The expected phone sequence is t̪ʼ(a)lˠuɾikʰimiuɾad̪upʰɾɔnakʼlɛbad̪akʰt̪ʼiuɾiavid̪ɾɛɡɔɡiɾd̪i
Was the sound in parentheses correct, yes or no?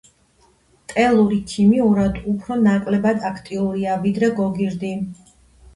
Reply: no